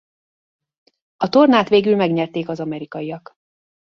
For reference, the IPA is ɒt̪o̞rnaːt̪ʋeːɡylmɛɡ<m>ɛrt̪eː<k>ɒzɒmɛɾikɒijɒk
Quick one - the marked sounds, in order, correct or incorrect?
incorrect, correct

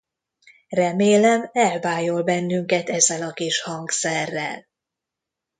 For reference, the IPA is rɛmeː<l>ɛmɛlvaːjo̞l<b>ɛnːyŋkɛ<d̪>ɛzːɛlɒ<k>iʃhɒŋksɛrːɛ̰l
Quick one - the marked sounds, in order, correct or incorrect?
correct, correct, incorrect, correct

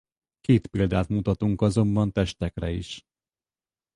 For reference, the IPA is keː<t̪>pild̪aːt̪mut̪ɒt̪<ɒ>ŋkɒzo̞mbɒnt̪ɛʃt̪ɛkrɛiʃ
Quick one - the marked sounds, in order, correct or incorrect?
correct, incorrect

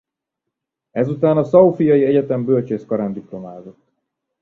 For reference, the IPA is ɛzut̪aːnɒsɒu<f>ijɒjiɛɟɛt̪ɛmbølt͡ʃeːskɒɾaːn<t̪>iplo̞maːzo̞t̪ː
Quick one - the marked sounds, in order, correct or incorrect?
correct, incorrect

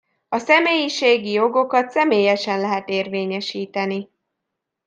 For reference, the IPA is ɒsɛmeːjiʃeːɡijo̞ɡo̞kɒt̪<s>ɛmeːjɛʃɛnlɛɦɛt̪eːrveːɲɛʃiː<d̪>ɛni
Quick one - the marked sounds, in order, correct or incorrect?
correct, incorrect

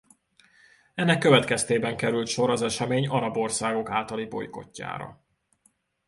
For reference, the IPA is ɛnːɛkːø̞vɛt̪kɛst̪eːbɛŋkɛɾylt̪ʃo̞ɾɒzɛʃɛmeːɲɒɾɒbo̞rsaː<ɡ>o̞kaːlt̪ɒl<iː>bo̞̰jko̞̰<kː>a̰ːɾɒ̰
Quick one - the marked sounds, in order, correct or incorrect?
correct, incorrect, incorrect

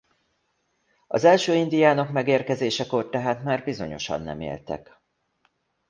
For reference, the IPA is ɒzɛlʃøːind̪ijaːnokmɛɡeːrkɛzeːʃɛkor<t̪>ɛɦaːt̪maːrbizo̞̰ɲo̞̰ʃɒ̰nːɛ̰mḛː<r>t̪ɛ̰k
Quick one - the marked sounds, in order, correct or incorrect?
correct, incorrect

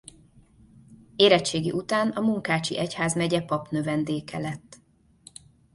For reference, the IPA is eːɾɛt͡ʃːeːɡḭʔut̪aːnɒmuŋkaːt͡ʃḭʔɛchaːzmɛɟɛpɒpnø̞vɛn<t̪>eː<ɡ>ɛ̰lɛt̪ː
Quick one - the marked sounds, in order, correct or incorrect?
incorrect, incorrect

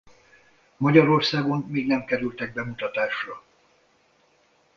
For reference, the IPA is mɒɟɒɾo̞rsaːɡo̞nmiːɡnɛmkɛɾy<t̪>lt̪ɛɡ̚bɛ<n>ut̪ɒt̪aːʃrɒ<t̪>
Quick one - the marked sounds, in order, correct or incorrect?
incorrect, incorrect, incorrect

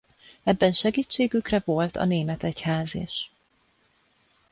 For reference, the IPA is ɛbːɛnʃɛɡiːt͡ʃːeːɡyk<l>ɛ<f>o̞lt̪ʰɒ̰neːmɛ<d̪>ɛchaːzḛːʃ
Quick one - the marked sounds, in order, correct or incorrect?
incorrect, incorrect, incorrect

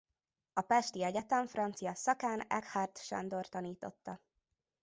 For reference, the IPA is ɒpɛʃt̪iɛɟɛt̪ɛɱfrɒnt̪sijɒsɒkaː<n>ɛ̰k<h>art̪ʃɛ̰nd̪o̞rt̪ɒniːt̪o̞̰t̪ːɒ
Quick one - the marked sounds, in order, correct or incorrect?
correct, correct

